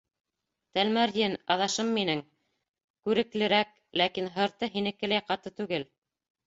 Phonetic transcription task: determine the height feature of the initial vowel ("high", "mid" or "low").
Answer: low